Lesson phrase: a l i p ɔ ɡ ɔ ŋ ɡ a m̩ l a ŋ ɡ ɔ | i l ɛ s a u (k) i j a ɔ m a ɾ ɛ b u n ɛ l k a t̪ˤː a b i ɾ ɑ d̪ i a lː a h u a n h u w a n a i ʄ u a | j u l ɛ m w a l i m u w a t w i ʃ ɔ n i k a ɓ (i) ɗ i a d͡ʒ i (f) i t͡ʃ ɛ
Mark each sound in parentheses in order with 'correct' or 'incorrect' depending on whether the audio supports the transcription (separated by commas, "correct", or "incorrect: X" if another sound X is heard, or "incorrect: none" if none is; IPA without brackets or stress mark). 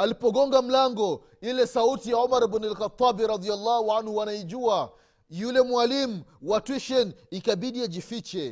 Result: incorrect: t, correct, correct